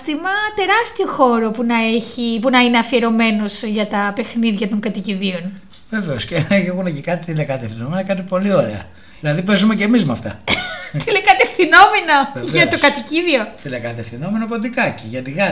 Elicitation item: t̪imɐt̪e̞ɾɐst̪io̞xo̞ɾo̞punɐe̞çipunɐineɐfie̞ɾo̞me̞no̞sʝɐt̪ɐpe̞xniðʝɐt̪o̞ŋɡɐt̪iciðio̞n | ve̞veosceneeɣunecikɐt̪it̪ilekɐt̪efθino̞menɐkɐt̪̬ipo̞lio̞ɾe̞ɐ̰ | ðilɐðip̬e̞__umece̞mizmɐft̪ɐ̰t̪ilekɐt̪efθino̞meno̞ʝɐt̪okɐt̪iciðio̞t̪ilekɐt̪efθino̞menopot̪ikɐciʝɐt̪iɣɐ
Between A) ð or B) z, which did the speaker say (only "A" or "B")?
B